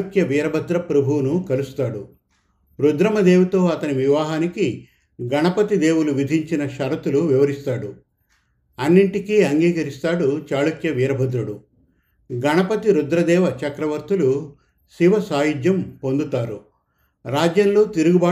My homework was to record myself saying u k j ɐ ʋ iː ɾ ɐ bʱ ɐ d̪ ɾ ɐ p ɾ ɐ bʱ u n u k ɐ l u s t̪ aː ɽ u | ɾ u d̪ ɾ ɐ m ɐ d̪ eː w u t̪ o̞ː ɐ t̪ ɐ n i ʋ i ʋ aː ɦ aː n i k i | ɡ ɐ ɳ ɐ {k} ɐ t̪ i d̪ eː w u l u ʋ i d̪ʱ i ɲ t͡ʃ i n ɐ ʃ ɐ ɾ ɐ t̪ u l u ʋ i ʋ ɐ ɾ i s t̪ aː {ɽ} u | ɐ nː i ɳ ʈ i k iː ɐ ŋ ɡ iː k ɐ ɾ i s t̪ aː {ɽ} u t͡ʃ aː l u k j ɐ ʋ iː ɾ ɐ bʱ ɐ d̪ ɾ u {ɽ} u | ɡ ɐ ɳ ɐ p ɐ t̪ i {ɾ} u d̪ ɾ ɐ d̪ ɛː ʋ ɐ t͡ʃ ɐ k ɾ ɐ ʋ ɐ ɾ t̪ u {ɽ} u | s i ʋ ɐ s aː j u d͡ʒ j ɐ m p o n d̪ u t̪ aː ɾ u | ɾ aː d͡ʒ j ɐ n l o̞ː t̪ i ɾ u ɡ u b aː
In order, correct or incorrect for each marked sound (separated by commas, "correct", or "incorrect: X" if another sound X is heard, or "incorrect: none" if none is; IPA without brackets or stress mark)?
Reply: incorrect: p, correct, correct, correct, correct, incorrect: l